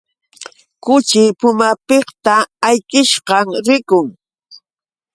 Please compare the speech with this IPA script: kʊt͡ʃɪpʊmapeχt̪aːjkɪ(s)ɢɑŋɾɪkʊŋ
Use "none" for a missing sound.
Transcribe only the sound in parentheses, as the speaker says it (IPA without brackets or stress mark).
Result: ʃ